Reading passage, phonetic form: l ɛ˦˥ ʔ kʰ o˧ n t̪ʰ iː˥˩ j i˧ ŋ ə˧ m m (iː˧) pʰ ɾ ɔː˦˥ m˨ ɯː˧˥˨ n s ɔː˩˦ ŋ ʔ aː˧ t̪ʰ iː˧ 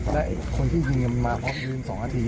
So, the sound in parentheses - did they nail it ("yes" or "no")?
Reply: no